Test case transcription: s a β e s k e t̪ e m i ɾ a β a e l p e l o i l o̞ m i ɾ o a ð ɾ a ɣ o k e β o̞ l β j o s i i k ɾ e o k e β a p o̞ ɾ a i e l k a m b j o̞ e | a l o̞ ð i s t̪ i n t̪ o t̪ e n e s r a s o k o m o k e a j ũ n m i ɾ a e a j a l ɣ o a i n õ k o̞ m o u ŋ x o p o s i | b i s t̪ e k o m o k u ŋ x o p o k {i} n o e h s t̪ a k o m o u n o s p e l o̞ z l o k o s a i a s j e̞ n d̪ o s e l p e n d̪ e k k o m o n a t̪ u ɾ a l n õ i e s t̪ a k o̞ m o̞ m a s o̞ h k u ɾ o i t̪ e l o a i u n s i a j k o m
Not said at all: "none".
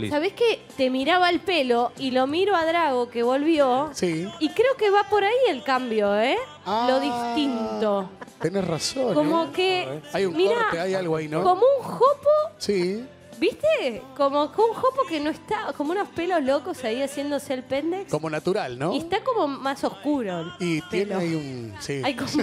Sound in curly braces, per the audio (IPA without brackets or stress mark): e